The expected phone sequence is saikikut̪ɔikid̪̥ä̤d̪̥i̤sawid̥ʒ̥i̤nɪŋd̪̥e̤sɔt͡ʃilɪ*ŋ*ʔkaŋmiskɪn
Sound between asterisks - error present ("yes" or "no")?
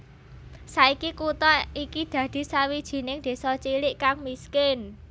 yes